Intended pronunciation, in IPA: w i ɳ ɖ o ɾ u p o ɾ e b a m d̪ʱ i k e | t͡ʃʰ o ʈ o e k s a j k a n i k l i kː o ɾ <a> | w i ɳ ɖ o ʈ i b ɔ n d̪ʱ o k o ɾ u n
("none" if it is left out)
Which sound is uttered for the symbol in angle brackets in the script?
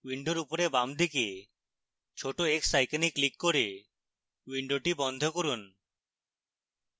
e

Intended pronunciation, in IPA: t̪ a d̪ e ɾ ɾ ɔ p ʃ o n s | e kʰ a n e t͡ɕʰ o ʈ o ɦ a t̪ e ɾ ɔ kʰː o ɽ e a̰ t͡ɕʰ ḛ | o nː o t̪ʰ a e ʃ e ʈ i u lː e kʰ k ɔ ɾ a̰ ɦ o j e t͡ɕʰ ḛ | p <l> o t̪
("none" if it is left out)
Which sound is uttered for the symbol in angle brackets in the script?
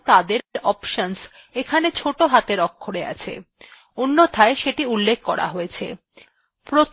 ɾ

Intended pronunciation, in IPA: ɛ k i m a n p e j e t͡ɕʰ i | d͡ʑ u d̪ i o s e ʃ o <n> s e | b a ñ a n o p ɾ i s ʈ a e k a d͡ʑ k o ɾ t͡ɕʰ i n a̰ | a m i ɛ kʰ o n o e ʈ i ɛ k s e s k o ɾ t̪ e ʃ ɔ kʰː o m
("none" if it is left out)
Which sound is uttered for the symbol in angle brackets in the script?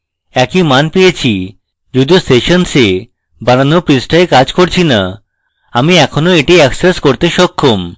n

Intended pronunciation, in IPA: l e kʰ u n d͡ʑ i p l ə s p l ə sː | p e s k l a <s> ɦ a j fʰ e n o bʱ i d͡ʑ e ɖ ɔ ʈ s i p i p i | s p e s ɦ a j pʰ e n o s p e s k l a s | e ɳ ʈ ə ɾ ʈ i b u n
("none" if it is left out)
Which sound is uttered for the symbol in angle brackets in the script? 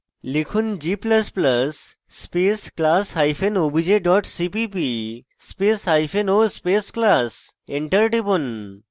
s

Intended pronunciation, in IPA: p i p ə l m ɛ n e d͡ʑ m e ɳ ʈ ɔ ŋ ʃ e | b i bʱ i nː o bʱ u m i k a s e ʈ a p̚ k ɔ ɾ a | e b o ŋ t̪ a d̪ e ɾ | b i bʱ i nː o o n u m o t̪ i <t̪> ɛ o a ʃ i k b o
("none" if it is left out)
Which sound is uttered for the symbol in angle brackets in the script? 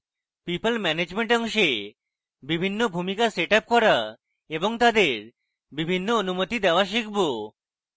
d̪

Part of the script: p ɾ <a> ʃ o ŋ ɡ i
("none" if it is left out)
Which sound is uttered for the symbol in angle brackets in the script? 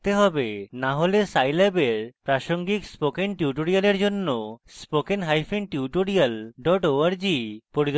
a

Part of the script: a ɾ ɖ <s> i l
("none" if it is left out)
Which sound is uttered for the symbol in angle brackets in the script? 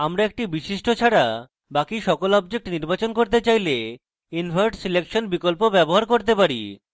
s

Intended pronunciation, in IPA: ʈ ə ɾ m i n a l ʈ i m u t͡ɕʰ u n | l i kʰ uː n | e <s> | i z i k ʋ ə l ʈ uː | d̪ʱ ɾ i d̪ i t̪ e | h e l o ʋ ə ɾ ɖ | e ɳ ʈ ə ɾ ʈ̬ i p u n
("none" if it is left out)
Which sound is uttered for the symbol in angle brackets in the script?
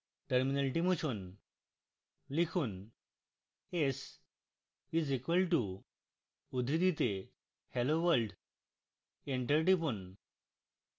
s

